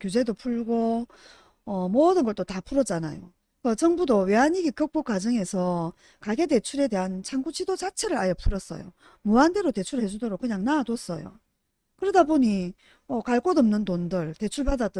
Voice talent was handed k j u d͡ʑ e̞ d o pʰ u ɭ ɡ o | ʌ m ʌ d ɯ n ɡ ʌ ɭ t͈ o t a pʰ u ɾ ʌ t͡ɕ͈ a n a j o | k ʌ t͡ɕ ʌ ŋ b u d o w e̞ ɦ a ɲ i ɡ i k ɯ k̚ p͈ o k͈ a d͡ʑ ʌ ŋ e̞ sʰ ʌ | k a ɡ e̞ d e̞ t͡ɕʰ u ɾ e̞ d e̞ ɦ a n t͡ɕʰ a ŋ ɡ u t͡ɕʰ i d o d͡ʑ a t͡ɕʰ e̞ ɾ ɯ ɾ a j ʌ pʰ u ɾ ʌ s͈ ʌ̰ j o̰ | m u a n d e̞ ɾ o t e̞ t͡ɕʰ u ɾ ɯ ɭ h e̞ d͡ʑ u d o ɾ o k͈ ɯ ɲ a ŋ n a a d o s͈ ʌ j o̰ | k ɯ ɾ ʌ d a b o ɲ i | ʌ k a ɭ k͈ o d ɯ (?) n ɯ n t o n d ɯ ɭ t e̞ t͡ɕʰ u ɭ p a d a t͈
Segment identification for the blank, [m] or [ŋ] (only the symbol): m